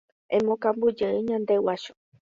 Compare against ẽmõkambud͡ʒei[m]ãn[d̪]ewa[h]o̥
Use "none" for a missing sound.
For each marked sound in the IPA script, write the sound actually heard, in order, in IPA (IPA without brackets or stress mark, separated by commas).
ɲ, d̪, ʃ